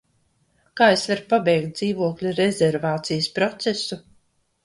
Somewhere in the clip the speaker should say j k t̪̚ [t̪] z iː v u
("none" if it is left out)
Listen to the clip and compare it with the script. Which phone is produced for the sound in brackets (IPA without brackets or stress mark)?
d̪